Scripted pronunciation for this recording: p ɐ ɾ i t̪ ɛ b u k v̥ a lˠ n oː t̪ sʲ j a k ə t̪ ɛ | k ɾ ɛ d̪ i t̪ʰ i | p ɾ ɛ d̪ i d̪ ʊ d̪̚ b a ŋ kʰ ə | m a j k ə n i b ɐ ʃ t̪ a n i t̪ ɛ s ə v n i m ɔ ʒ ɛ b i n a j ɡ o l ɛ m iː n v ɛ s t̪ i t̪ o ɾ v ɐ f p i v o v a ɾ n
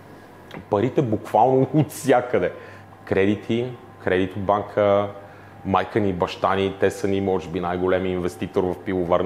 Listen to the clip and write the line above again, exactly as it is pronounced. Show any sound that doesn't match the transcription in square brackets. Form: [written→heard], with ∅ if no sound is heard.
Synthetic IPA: p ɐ ɾ i t̪ ɛ b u k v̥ a lˠ n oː t̪ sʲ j a k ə [t̪→d̪] ɛ | k ɾ ɛ d̪ i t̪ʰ i | [p→k] ɾ ɛ d̪ i [d̪→t̪] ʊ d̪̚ b a ŋ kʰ ə | m a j k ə n i b ɐ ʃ t̪ a n i t̪ ɛ s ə [v→∅] n i m ɔ ʒ ɛ b i n a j ɡ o l ɛ m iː n v ɛ s t̪ i t̪ o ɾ v ɐ f p i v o v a ɾ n